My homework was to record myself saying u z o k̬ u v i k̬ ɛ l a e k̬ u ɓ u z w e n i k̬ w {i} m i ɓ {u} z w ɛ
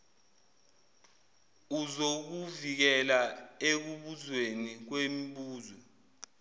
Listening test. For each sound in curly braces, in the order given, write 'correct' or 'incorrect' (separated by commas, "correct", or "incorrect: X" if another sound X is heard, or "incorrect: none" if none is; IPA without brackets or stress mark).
incorrect: e, incorrect: uː